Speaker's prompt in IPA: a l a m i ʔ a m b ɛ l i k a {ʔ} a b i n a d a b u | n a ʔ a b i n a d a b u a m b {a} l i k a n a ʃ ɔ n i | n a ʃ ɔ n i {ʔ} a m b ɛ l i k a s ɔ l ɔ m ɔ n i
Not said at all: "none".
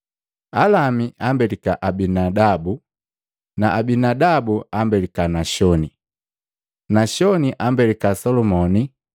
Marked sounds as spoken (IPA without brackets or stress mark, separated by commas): ʔ, ɛ, ʔ